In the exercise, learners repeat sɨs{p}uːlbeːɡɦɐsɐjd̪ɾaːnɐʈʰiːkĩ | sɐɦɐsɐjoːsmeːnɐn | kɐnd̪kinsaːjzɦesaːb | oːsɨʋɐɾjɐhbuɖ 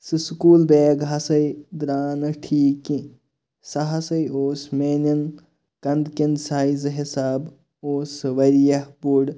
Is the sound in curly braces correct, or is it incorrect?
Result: incorrect